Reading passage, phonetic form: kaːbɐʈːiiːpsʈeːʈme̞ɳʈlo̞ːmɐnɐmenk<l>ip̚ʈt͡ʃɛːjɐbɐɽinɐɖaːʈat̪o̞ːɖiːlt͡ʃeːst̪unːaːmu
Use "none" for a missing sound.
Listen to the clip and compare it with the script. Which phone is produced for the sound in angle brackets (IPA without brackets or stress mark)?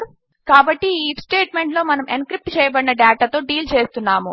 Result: ɾ